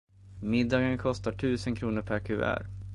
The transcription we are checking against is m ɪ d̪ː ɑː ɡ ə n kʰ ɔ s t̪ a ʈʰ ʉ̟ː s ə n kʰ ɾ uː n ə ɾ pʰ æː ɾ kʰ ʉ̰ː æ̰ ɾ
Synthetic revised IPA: m ɪ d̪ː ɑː ɡ ə n kʰ ɔ s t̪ a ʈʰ ʉ̟ː s ə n kʰ ɾ uː n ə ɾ pʰ æ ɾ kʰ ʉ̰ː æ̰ ɾ